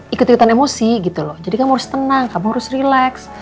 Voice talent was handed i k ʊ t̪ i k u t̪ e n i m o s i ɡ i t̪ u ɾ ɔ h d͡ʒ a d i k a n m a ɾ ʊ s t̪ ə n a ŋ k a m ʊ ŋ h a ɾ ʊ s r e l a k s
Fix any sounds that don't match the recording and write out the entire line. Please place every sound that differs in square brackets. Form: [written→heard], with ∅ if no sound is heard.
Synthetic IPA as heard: i k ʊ t̪ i k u t̪ [e→a] n [i→e] m o s i ɡ i t̪ u [ɾ→l] ɔ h d͡ʒ a d i k a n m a ɾ ʊ s t̪ ə n a ŋ k a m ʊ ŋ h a ɾ ʊ s r [e→i] l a k s